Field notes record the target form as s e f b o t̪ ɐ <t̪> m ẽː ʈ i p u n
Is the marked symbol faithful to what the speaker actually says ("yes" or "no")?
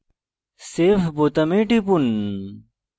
no